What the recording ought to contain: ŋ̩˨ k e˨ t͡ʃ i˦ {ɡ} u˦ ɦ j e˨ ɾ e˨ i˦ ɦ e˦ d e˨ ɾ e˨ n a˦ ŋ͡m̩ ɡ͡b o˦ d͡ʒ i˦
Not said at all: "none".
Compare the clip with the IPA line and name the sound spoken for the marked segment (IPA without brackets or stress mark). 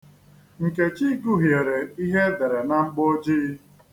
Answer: ɡ